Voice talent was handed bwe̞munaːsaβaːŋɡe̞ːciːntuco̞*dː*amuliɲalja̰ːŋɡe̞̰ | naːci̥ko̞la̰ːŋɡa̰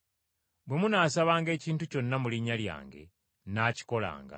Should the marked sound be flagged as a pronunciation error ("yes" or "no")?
yes